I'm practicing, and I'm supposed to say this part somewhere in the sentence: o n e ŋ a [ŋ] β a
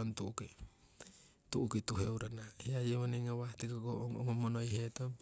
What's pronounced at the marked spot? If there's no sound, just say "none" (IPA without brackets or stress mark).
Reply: none